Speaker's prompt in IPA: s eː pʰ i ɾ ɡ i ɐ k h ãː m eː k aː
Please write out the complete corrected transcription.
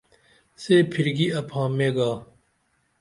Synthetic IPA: s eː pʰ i ɾ ɡ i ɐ p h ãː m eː ɡ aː